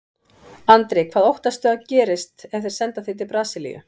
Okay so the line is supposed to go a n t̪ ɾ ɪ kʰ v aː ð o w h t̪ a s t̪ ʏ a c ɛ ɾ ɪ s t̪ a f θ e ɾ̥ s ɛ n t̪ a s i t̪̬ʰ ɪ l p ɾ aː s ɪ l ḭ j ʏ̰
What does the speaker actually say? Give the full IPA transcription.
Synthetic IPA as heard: a n t̪ ɾ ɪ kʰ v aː ð o w h t̪ a s t̪ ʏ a c ɛː ɾ ɪ s t̪ ɛ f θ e ɾ̥ s ɛ n t̪ a θ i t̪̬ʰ ɪ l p ɾ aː s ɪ l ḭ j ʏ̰